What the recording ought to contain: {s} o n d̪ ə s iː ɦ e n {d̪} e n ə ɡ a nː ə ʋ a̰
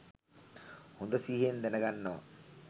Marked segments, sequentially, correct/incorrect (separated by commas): incorrect, correct